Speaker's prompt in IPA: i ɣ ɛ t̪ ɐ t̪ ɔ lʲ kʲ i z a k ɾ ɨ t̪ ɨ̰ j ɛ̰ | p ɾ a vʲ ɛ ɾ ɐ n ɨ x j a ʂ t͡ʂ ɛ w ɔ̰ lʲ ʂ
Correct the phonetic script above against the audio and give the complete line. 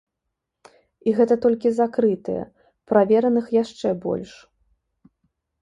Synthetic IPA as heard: i ɣ ɛ t̪ ɐ t̪ ɔ lʲ kʲ i z a k ɾ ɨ t̪ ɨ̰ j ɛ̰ | p ɾ a vʲ ɛ ɾ ɐ n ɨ x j a ʂ t͡ʂ ɛ b ɔ̰ lʲ ʂ